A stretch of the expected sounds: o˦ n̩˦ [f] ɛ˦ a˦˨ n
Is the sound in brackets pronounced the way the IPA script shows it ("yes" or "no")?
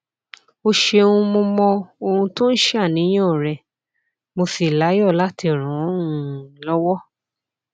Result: no